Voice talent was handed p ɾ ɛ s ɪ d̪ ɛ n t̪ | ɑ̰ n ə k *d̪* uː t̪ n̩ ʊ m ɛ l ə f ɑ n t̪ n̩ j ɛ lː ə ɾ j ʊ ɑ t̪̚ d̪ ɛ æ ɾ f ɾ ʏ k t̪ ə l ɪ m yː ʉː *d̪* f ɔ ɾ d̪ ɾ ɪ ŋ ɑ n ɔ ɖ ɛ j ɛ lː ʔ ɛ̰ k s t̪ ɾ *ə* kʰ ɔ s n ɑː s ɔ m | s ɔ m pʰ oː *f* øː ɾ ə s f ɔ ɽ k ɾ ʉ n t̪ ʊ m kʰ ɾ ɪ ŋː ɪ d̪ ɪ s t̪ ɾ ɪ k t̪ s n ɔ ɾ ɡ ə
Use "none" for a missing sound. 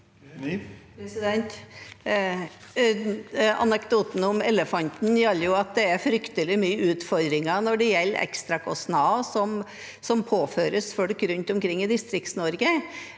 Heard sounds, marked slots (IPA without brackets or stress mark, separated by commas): d̪, t̪, ɑ, f